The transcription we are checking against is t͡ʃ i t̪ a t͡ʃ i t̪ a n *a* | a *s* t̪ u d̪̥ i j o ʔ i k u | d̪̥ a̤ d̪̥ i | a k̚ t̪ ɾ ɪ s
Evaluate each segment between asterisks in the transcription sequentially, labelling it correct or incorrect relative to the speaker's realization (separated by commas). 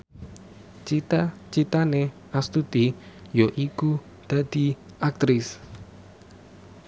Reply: incorrect, correct